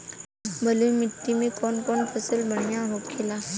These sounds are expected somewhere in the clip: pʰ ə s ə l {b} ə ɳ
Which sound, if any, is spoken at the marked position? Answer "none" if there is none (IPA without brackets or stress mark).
b